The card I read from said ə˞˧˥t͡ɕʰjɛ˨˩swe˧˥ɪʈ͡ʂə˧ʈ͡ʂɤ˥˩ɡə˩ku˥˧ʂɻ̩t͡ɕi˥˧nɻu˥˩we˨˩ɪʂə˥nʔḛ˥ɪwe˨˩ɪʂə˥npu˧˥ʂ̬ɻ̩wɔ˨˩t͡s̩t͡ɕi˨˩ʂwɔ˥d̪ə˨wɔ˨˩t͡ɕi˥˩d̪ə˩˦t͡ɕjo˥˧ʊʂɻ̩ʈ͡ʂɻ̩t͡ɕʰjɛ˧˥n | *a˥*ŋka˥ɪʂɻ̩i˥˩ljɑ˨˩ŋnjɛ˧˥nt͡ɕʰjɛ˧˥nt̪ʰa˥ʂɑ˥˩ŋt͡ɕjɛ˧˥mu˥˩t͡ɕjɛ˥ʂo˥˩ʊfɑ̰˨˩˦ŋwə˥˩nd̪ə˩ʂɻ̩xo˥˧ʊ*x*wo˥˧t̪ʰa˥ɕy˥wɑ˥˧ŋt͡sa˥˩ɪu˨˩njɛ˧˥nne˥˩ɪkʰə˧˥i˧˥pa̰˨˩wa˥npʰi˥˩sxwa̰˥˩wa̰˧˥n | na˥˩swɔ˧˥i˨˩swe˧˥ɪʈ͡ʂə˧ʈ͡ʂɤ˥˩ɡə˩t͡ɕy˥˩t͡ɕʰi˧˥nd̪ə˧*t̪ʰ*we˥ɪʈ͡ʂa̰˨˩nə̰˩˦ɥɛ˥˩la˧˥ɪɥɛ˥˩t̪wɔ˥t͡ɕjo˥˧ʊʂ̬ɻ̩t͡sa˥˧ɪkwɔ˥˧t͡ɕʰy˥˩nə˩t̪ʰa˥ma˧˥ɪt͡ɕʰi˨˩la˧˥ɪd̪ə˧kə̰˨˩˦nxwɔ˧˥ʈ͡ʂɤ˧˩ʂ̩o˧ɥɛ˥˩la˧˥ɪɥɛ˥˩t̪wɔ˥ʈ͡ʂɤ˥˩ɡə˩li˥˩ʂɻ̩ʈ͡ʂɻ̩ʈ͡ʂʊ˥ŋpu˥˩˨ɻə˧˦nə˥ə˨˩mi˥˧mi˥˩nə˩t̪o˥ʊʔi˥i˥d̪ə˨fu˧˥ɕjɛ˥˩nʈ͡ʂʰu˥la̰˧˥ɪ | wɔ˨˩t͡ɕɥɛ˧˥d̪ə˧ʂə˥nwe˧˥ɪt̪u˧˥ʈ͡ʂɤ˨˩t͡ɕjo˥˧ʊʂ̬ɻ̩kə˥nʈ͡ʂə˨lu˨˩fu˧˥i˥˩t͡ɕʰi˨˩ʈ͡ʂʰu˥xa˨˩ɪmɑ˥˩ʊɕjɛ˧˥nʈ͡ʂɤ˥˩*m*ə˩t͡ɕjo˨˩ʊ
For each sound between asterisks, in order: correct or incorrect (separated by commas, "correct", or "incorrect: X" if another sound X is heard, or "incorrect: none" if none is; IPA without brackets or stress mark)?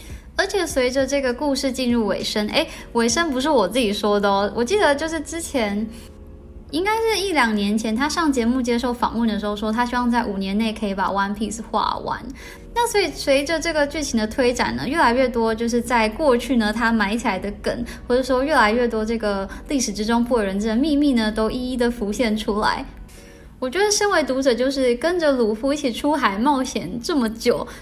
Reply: incorrect: i˥, incorrect: ʂ, correct, correct